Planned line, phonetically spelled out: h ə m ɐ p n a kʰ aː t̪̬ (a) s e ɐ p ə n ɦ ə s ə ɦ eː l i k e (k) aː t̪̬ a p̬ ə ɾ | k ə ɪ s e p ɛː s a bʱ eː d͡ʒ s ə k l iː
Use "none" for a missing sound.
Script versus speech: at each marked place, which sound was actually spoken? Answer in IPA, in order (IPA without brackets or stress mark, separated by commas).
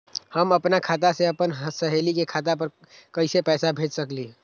a, kʰ